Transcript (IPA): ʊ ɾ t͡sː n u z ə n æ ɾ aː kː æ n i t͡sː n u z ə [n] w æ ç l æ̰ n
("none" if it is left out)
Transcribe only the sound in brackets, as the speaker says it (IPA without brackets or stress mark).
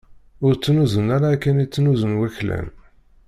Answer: n